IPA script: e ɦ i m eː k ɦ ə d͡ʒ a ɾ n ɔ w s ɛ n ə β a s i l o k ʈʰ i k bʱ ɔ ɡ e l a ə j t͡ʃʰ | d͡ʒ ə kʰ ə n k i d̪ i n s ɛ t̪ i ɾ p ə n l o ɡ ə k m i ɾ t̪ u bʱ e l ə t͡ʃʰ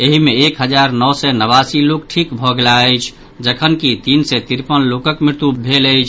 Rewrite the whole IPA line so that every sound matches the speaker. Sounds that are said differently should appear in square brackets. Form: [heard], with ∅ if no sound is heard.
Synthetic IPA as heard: e ɦ i m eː k ɦ ə d͡ʒ a ɾ n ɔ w s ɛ n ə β a s i l o k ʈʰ i k bʱ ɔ ɡ e l a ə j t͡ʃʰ | d͡ʒ ə kʰ ə n k i [t̪] i n s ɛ t̪ i ɾ p ə n l o [k] ə k m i ɾ t̪ u bʱ e l ə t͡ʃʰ